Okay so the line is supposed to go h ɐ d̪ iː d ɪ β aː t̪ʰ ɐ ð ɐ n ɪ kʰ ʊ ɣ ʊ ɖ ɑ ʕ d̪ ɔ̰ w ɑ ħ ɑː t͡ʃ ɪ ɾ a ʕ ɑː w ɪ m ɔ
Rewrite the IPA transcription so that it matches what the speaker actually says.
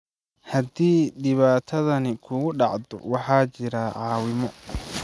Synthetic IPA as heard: h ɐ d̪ iː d ɪ β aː t̪ʰ ɐ ð ɐ n ɪ kʰ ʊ ɣ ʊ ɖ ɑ ʕ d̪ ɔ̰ w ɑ ħ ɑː t͡ʃ ɪ ɾ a ʕ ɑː w ɪ m ɔ